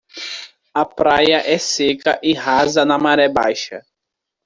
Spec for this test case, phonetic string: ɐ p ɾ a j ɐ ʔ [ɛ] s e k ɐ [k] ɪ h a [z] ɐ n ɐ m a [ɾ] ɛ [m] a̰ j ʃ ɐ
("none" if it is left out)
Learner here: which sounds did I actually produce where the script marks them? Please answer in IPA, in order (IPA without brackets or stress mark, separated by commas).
ɛ, ʔ, z, ɾ, b